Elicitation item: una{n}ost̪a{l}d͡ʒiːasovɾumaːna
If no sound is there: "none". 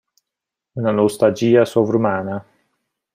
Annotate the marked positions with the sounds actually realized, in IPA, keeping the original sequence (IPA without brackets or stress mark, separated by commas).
n, l